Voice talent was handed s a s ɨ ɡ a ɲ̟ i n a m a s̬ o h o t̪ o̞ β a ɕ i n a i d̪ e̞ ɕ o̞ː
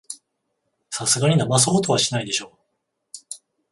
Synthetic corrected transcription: s a s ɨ ɡ a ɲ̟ i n a m a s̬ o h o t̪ o̞ β a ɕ i n a i d̪ e̞ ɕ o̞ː